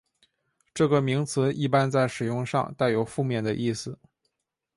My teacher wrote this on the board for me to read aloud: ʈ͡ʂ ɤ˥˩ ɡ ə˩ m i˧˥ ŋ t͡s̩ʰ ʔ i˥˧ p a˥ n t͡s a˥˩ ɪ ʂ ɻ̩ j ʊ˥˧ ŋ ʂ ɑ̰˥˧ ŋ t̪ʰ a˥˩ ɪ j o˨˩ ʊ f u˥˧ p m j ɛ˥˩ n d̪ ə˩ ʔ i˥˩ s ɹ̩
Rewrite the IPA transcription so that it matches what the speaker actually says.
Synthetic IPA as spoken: ʈ͡ʂ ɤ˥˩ ɡ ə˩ m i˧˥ ŋ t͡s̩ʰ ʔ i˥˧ p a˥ n t͡s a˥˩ ɪ ʂ ɻ̩ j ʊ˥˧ ŋ ʂ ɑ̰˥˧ ŋ t̪ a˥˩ ɪ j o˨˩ ʊ f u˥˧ m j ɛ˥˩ n d̪ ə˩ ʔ i˥˩ s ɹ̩

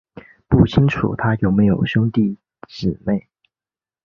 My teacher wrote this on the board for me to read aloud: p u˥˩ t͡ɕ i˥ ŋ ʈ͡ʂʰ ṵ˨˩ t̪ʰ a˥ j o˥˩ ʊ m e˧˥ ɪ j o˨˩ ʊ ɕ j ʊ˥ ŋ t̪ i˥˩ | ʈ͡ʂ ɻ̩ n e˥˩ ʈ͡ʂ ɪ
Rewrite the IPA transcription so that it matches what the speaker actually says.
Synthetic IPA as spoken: p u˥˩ t͡ɕʰ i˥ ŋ ʈ͡ʂʰ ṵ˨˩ t̪ʰ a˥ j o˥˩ ʊ m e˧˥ ɪ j o˨˩ ʊ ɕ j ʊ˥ ŋ t̪ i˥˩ | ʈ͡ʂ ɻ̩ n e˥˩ ɪ

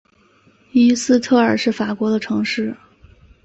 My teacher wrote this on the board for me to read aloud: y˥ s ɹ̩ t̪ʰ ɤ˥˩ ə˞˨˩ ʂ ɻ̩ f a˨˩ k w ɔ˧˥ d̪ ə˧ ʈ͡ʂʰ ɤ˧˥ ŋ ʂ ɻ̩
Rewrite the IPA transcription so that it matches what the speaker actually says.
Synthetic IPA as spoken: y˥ s ɹ̩ t̪ʰ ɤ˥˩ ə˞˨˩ ʂ ɻ̩ f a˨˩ k w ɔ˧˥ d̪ ə˧ ʈ͡ʂʰ ɤ˧˥ ŋ ʂ ɻ̩

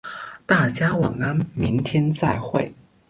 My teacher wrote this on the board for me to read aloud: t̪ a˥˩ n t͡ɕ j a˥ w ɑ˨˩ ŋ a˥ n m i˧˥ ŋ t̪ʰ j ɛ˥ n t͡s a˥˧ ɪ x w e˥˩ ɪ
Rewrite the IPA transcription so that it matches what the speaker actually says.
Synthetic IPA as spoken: t̪ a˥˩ t͡ɕ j a˥ w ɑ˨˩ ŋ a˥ n m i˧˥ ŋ t̪ʰ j ɛ˥ n t͡s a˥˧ ɪ x w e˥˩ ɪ

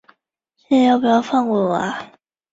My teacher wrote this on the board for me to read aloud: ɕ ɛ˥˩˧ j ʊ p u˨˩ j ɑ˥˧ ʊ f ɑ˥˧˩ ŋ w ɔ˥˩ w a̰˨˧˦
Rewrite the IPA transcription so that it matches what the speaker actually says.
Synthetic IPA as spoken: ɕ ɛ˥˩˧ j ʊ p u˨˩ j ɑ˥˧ ʊ f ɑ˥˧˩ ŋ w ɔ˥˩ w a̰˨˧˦

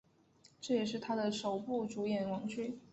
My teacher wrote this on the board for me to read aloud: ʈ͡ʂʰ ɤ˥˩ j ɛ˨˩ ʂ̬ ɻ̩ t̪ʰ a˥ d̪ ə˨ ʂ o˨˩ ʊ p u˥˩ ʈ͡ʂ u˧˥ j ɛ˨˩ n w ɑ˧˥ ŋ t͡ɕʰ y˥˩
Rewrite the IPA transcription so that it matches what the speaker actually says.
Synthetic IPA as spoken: ʈ͡ʂ ɤ˥˩ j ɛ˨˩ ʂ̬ ɻ̩ t̪ʰ a˥ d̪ ə˨ ʂ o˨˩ ʊ p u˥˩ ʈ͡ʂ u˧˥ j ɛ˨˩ n w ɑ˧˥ ŋ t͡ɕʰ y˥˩

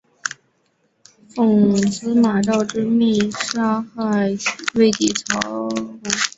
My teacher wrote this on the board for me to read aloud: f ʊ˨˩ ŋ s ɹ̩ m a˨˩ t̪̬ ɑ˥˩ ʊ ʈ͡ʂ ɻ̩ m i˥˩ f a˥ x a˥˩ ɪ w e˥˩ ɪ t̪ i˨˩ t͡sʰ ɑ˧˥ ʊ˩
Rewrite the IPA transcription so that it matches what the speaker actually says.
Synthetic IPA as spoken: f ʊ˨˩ ŋ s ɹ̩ m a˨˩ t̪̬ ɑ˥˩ ʊ ʈ͡ʂ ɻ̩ m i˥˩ ʂ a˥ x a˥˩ ɪ w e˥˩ ɪ t̪ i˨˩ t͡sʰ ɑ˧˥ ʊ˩

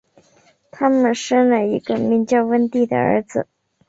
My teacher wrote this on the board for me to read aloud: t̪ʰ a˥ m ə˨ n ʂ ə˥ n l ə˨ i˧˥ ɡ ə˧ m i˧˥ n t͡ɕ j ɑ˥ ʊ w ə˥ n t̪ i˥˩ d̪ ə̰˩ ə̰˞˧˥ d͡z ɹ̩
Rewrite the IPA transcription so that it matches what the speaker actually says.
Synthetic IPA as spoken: t̪ʰ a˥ m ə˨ n ʂ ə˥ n l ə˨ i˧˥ ɡ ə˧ m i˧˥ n t͡ɕ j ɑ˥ ʊ w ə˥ n t̪ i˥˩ d̪ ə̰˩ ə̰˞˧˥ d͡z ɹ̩

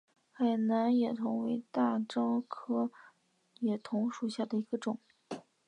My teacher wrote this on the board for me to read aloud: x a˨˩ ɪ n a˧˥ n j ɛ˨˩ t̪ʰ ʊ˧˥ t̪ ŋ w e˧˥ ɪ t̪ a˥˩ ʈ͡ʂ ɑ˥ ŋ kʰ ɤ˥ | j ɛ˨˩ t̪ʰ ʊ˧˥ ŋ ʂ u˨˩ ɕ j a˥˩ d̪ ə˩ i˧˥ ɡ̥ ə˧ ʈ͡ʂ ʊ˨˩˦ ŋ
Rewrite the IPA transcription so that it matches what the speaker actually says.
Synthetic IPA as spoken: x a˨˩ ɪ n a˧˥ n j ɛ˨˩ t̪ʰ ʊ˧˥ ŋ w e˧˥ ɪ t̪ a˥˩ ʈ͡ʂ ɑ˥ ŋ kʰ ɤ˥ | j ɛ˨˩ t̪ʰ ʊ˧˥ ŋ ʂ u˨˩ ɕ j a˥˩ d̪ ə˩ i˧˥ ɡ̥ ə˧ ʈ͡ʂ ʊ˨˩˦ ŋ

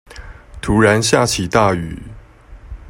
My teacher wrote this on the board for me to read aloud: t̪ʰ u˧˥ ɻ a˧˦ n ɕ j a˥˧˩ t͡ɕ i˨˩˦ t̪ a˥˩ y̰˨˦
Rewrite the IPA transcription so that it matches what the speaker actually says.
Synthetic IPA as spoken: t̪ʰ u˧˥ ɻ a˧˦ n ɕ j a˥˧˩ t͡ɕʰ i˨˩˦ t̪ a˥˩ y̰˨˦

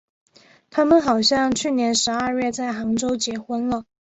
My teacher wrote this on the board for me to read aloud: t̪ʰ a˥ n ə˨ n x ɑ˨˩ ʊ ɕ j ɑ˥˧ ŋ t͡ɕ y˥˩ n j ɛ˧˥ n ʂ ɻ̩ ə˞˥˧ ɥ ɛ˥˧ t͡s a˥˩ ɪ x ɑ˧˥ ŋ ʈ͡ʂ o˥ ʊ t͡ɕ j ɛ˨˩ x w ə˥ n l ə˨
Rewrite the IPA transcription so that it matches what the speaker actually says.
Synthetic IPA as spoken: t̪ʰ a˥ m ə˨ n x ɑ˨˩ ʊ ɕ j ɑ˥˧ ŋ t͡ɕʰ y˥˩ n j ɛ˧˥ n ʂ ɻ̩ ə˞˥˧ ɥ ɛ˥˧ t͡s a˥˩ ɪ x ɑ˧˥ ŋ ʈ͡ʂ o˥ ʊ t͡ɕ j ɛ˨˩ x w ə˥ n l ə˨

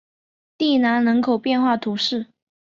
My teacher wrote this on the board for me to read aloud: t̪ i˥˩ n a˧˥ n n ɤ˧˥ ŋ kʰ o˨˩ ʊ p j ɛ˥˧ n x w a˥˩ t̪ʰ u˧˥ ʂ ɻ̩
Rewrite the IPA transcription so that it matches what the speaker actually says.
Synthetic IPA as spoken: t̪ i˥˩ n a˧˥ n n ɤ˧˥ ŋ kʰ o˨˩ ʊ p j ɛ˥˧ n x w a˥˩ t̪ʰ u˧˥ ʂ ɻ̩

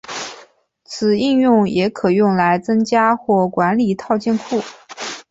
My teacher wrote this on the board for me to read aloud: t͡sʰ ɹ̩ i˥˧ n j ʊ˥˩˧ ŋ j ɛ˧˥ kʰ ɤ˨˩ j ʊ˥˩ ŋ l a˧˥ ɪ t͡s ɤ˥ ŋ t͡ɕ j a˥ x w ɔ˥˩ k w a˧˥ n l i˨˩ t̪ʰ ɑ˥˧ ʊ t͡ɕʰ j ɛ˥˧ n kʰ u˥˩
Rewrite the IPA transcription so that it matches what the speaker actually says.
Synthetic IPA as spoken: t͡sʰ ɹ̩ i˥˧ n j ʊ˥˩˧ ŋ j ɛ˧˥ kʰ ɤ˨˩ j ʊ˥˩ ŋ l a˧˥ ɪ t͡s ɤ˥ ŋ t͡ɕ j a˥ x w ɔ˥˩ k w a˧˥ n l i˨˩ t̪ʰ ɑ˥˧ ʊ t͡ɕ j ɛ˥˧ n kʰ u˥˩

